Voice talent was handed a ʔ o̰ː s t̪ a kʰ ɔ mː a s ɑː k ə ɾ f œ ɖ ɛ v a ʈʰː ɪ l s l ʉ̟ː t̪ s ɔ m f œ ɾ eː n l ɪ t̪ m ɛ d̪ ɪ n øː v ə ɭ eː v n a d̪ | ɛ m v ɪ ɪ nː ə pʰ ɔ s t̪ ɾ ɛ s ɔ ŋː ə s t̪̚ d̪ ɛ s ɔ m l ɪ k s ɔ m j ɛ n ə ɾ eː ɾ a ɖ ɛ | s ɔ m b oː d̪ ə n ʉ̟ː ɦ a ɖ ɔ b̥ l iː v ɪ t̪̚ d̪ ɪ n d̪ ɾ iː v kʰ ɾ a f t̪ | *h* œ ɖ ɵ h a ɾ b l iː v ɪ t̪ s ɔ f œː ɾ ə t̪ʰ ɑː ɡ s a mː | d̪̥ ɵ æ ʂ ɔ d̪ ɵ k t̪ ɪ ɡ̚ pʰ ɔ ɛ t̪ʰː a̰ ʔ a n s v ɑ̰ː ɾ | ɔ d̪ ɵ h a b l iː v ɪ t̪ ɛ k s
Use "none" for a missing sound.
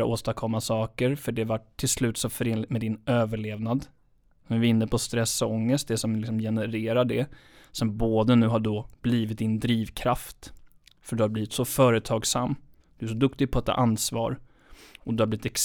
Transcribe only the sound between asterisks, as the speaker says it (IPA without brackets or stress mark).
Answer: f